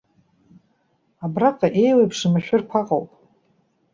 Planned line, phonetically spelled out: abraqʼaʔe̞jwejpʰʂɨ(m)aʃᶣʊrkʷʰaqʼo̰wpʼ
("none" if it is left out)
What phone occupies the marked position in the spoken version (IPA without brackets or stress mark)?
m